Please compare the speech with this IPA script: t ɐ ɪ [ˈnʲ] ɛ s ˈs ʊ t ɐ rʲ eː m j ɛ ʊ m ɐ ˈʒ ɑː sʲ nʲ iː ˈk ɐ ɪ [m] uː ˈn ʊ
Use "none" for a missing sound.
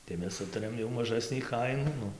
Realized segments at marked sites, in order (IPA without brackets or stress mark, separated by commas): mʲ, n